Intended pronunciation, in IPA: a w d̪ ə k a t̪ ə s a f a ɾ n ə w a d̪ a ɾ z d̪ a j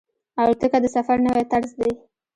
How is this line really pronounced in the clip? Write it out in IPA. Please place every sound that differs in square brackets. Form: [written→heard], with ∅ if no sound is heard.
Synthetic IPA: a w [d̪→t̪] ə k a [t̪→d̪] ə s a f a ɾ n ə w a [d̪→t̪] a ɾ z d̪ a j